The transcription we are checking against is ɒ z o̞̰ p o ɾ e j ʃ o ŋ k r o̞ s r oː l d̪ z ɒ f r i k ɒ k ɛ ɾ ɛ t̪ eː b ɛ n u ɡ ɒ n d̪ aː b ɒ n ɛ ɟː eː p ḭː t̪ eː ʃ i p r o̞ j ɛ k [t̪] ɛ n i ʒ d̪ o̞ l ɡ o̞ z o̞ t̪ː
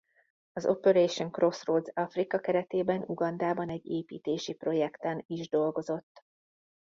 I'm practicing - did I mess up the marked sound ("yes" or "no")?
no